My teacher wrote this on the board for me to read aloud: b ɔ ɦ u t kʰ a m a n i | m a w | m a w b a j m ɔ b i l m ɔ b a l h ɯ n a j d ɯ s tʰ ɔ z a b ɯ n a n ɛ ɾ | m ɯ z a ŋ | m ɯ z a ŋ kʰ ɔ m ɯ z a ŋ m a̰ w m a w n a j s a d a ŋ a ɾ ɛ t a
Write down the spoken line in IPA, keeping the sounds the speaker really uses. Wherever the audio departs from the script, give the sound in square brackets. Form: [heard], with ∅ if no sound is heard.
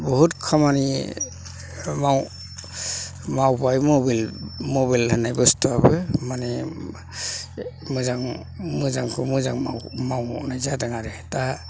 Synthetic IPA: b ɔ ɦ u t kʰ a m a n i | m a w | m a w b a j m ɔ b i l m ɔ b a l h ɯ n a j [b] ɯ s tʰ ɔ [∅] a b ɯ [m] a n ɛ [∅] | m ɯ z a ŋ | m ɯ z a ŋ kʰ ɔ m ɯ z a ŋ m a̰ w m a w n a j [z] a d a ŋ a ɾ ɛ t a